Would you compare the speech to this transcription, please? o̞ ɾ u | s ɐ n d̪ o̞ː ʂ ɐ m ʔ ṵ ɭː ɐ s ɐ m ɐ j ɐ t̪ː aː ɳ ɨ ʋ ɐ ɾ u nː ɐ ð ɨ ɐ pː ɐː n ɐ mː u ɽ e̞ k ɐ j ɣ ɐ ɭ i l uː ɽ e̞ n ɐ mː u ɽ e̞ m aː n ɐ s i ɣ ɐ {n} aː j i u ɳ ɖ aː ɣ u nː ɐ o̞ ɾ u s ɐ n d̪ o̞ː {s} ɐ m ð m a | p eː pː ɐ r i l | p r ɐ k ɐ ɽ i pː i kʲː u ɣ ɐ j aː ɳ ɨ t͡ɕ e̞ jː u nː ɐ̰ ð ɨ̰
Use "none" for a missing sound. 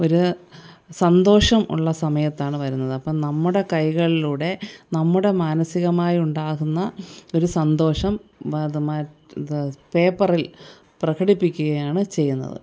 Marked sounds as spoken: m, ʂ

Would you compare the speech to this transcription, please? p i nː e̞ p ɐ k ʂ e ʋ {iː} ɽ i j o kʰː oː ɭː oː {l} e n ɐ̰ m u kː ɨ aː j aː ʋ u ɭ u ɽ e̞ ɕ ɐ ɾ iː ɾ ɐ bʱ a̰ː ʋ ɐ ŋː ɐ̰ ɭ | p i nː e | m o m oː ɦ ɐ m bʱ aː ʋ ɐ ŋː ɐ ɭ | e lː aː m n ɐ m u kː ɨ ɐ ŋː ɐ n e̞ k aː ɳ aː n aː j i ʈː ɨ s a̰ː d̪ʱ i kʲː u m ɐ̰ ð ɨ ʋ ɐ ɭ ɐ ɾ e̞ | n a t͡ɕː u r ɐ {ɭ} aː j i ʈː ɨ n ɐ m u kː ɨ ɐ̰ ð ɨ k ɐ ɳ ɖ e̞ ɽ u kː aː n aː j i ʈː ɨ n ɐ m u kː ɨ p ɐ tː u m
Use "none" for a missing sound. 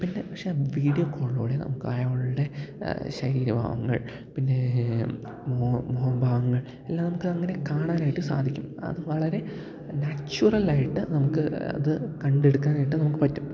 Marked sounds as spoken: iː, ɽ, l

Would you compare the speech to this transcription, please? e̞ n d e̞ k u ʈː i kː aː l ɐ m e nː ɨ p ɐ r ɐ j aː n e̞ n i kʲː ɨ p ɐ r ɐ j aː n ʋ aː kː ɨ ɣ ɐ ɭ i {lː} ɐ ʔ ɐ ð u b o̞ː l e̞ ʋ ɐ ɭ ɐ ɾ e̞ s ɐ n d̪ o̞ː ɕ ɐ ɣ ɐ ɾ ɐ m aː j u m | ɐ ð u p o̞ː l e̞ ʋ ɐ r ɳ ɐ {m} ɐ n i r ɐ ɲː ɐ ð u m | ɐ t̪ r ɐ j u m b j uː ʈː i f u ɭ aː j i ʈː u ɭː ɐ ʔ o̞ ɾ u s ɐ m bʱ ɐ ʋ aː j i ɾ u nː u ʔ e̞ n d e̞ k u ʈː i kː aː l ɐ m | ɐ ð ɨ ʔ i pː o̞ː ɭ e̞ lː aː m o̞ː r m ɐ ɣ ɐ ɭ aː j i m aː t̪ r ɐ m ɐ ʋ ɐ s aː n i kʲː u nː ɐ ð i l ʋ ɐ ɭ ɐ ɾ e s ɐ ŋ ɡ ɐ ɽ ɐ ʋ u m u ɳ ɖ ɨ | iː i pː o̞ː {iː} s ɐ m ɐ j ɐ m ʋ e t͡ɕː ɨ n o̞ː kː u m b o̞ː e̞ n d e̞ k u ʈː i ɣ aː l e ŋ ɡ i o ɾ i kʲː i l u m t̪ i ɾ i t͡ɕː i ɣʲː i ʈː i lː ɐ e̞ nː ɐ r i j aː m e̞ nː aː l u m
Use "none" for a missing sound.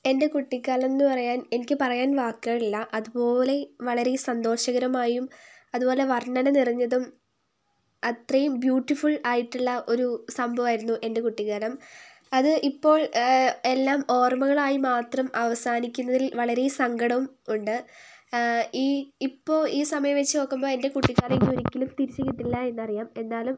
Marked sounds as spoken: lː, n, iː

